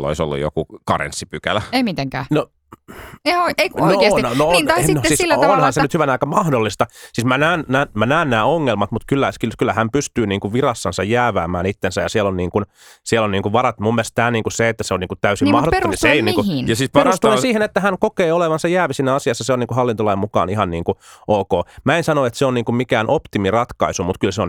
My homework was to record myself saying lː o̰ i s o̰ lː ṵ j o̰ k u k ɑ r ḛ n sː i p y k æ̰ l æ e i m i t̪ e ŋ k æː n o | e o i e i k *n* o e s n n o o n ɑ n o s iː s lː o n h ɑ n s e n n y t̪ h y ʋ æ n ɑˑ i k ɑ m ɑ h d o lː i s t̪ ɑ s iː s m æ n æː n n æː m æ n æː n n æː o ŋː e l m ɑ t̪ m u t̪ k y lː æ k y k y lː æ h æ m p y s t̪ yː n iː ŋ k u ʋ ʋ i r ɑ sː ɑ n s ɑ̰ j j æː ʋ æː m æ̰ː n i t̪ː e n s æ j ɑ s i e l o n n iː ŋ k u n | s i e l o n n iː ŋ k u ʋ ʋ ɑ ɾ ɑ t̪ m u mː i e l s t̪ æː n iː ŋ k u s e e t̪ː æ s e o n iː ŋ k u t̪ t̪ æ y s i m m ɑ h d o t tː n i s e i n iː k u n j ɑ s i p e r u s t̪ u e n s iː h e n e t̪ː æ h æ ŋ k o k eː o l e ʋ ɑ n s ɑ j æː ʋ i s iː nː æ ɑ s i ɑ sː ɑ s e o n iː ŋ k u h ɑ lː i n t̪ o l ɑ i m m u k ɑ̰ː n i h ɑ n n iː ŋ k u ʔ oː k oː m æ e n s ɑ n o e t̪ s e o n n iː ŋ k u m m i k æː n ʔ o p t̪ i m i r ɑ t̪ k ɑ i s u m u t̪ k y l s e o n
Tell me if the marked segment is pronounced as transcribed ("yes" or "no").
yes